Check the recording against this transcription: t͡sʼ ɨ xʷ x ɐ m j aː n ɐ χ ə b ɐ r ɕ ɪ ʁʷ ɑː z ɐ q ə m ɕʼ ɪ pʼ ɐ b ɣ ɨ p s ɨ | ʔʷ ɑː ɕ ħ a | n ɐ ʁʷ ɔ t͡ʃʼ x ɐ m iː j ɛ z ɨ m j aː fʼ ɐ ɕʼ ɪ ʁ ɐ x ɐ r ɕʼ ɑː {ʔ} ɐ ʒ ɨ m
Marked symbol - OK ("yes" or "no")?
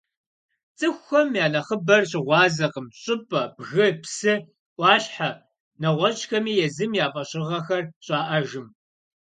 yes